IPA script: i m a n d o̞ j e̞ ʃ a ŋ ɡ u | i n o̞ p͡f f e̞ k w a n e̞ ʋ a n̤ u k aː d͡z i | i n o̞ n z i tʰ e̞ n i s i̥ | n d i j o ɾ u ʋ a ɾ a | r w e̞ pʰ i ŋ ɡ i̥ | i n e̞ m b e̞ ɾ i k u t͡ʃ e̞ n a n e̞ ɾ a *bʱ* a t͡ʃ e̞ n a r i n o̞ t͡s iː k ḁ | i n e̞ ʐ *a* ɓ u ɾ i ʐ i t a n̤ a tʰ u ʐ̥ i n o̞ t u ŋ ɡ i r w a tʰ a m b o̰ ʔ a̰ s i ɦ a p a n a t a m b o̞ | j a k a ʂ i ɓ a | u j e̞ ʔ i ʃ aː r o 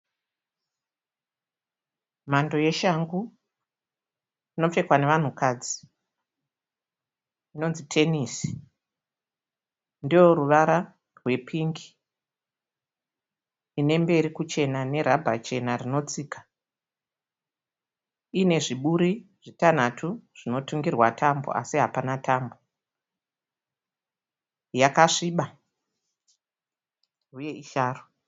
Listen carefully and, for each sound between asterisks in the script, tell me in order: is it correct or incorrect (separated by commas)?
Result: correct, incorrect